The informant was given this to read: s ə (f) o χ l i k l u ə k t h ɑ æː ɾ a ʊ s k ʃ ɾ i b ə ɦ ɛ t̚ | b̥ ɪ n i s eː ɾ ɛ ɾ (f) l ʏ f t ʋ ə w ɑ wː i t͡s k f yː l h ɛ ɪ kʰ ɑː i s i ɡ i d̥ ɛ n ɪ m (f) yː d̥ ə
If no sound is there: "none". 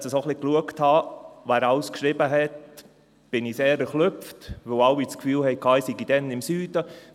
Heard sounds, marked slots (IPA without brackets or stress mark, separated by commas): s, χ, s